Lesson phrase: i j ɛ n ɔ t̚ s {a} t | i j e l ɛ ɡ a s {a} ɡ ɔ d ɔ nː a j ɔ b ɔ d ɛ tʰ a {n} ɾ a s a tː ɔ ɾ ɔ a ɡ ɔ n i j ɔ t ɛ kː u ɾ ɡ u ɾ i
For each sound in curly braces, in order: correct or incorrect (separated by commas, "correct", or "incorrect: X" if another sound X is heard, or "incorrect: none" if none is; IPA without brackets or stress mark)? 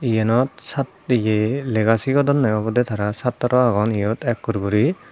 correct, incorrect: i, incorrect: none